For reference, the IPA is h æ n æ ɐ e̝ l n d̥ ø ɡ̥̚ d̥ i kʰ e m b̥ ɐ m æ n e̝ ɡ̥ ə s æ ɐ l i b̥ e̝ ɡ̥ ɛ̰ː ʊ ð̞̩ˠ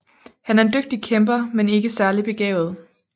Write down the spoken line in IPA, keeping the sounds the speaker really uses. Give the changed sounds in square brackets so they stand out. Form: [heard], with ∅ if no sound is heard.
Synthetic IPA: h æ n æ ɐ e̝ [∅] n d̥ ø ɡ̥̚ d̥ i kʰ e m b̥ ɐ m [e] n e̝ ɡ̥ ə s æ ɐ l i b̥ e̝ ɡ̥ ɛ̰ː ʊ ð̞̩ˠ